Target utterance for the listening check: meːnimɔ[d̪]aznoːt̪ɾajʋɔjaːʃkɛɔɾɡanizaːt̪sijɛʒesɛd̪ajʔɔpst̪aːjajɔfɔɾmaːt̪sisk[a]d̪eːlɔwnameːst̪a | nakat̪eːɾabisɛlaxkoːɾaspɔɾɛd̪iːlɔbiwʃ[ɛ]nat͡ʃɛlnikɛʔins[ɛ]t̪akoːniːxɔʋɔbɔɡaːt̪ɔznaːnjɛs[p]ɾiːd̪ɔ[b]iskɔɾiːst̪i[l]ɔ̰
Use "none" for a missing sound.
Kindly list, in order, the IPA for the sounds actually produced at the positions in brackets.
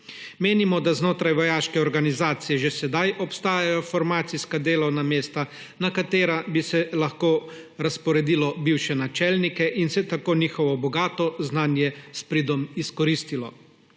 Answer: d̪, a, ɛ, ɛ, p, m, l

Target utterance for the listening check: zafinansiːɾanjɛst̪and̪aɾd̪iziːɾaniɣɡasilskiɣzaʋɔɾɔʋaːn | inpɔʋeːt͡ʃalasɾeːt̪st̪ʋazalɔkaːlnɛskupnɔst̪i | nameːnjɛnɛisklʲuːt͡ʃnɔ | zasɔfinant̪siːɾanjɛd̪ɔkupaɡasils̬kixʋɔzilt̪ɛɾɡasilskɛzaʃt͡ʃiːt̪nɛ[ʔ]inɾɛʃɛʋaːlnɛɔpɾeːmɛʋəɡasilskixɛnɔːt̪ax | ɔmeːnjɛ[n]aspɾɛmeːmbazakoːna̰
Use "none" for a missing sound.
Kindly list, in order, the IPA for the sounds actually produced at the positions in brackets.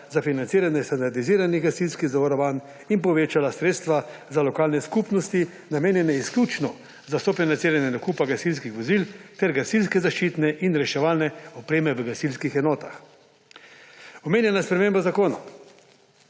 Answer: ʔ, n

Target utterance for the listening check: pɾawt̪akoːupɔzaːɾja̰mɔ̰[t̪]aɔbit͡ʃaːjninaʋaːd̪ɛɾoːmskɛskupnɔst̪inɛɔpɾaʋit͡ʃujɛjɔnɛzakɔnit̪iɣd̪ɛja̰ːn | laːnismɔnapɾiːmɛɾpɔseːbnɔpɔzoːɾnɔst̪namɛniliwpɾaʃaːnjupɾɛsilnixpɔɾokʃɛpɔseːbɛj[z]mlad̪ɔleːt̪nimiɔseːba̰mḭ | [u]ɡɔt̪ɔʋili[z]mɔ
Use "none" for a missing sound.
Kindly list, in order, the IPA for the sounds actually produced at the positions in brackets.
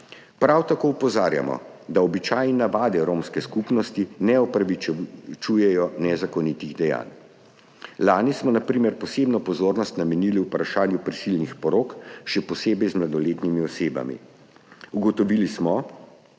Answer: d̪, z, u, s

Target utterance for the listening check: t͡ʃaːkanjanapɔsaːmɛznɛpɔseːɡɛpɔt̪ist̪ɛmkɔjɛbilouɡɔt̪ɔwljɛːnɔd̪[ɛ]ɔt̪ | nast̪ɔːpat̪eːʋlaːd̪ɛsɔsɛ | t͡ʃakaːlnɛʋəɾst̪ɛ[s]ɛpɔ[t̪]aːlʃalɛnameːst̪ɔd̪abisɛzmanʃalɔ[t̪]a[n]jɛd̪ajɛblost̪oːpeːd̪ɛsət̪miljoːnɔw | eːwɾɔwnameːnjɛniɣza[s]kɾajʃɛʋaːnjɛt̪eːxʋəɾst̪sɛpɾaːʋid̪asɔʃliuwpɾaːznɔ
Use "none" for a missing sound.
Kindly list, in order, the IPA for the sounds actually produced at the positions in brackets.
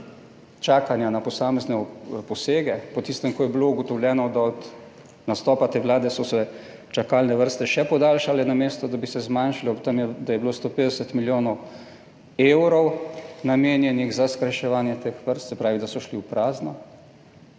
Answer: a, ʃ, d̪, t̪, m, s

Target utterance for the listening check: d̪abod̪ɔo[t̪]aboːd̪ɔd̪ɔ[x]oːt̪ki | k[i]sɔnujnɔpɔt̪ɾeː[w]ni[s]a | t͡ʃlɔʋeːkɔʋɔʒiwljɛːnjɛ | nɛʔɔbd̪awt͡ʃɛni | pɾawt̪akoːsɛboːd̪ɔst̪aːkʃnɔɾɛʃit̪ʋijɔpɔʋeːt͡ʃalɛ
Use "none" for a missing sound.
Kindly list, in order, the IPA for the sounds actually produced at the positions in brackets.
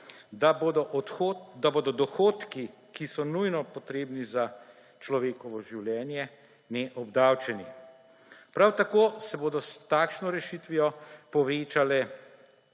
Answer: d̪, x, i, b, z

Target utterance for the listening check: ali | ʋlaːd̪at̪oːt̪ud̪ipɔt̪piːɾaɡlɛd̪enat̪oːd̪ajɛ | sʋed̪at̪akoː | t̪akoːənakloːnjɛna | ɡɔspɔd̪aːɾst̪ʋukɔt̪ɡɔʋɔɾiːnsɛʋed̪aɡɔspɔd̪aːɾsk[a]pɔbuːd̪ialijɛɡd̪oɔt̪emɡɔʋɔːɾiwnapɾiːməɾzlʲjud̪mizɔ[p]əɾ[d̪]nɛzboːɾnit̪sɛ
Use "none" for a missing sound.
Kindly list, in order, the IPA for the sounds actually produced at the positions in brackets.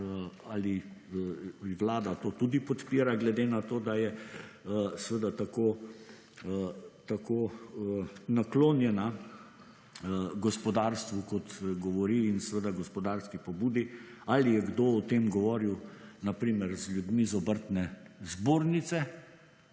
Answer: i, b, t̪

